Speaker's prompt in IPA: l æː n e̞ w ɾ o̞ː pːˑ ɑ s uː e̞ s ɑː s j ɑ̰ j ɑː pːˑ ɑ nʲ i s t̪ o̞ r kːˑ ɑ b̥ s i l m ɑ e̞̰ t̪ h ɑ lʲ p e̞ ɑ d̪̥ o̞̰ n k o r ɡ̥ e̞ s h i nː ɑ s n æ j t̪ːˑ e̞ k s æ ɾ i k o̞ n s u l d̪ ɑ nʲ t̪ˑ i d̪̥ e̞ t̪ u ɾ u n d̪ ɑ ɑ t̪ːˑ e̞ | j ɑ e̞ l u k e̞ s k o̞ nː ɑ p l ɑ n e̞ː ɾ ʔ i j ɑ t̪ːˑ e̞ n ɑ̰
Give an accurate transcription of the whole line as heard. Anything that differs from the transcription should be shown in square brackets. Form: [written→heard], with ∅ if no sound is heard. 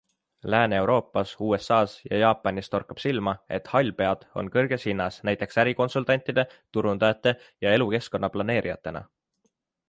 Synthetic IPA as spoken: l æː n e̞ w ɾ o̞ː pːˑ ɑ s uː e̞ s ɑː s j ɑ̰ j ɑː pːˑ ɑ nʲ i s t̪ o̞ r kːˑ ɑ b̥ s i l m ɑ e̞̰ t̪ h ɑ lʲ p e̞ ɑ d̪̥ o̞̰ n k [o→ɤ] r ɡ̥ e̞ s h i nː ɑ s n æ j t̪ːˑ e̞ k s æ ɾ i k o̞ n s u l [d̪→t̪] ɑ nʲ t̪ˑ i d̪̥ e̞ t̪ u ɾ u n d̪ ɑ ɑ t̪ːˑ e̞ | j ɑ e̞ l u k e̞ s k o̞ nː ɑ p l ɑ n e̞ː ɾ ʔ i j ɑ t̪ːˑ e̞ n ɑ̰

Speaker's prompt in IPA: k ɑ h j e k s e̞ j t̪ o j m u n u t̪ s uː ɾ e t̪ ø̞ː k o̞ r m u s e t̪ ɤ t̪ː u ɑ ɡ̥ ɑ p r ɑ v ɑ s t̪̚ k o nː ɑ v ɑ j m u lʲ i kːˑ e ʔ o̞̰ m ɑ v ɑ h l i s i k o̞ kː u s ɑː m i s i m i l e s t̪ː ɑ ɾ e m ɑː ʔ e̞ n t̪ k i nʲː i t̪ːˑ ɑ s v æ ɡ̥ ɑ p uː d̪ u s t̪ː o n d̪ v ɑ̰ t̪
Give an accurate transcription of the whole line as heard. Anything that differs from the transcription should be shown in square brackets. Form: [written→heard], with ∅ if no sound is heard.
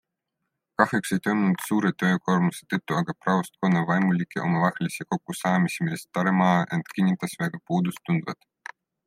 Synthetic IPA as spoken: k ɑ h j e k s e̞ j t̪ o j m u n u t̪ s uː ɾ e t̪ ø̞ː k o̞ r m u s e t̪ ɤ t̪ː u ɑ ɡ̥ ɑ p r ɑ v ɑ s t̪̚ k o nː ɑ v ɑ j m u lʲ i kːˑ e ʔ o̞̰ m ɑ v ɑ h l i s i k o̞ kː u s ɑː m i s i m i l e s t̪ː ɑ ɾ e m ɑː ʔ e̞ n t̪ k i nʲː i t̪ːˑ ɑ s v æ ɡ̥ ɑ p uː d̪ u s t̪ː [o→u] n d̪ v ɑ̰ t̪

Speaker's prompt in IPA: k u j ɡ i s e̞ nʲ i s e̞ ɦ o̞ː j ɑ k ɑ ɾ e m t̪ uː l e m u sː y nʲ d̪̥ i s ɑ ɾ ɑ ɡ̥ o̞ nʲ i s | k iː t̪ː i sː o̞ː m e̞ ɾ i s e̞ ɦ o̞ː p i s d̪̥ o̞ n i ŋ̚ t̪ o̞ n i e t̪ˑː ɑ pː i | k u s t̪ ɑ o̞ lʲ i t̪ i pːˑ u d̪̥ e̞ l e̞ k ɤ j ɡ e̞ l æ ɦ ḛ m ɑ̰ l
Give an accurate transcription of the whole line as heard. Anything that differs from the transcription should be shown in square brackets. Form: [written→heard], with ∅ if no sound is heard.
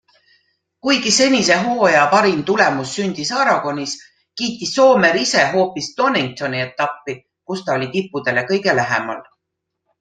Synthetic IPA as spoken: k u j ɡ i s e̞ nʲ i s e̞ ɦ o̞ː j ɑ [k→p] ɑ ɾ [e→i] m t̪ [uː→u] l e m u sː y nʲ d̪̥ i s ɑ ɾ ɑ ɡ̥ o̞ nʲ i s | k iː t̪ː i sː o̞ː m e̞ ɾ i s e̞ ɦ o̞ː p i s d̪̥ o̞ n i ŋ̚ t̪ o̞ n i e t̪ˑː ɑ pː i | k u s t̪ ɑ o̞ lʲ i t̪ i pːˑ u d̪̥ e̞ l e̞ k ɤ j ɡ e̞ l æ ɦ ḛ m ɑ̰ l

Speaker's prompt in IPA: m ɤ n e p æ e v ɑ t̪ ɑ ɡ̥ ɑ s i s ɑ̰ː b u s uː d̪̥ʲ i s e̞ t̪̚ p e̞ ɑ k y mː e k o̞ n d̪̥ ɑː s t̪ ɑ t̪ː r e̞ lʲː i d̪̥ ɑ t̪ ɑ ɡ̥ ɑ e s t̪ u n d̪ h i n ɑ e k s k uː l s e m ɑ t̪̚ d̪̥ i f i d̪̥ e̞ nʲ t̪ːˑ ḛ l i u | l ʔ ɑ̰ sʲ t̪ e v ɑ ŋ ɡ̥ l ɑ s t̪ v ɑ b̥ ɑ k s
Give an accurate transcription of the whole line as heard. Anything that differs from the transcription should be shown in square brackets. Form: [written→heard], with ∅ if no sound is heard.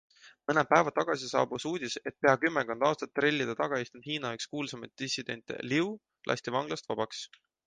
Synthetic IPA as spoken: m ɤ n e p æ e v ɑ t̪ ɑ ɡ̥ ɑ s i s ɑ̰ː b u s uː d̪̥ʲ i s e̞ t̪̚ p e̞ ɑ k y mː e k o̞ n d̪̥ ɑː s t̪ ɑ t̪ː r e̞ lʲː i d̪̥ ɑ t̪ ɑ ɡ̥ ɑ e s t̪ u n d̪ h [i→iː] n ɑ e k s k uː l s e m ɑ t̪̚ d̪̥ i [f→s] i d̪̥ e̞ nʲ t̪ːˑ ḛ l i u | l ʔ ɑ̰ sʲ t̪ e v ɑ ŋ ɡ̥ l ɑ s t̪ v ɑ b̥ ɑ k s

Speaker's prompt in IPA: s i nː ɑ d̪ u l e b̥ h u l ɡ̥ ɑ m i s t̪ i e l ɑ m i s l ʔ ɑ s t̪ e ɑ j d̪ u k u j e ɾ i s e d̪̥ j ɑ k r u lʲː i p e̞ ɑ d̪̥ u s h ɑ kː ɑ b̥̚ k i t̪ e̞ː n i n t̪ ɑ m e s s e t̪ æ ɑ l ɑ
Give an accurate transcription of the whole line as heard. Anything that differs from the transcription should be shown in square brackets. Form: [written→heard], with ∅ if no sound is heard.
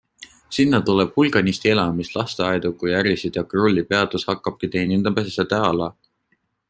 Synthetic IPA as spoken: s i nː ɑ [d̪→t̪] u l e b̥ h u l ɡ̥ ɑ [m→n] i s t̪ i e l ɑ m i s l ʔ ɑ s t̪ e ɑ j d̪ u k u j [e→æ] ɾ i s [e→i] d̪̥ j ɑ k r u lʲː i p e̞ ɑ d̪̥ u s h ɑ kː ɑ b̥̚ k i t̪ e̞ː n i n [t̪→d̪] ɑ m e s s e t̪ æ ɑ l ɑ

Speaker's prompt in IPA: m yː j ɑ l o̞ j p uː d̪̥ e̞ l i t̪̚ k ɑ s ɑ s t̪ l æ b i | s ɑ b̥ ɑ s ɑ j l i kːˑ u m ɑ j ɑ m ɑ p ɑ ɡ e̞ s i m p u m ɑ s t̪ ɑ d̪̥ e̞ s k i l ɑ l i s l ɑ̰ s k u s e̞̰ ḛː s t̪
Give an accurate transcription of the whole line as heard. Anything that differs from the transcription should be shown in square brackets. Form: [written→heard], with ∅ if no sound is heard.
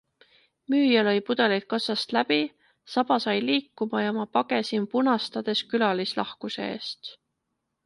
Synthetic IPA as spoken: m yː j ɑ l o̞ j p [uː→u] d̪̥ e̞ l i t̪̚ k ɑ s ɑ s t̪ l æ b i | s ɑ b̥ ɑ s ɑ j l [i→iː] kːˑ u m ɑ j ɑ m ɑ p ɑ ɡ e̞ s i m p u [m→n] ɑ s t̪ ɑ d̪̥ e̞ s k [i→y] l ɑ l i s l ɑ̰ [s→h] k u s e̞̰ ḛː s t̪

